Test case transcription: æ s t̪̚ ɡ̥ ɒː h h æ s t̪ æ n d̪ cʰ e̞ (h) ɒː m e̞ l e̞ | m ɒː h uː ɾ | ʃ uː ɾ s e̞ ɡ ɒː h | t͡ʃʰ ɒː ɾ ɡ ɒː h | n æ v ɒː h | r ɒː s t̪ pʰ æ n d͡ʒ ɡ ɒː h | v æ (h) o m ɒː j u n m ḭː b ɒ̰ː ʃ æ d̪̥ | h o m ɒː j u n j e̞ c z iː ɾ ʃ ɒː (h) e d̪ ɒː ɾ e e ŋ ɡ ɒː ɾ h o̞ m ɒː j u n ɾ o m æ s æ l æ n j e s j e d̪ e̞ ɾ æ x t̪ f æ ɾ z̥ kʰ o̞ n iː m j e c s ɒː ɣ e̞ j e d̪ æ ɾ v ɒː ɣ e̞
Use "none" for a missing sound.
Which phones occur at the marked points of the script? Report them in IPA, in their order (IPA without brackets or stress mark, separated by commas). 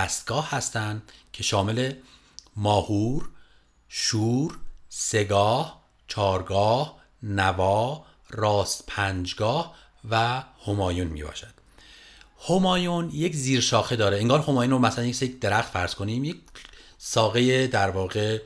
ʃ, h, x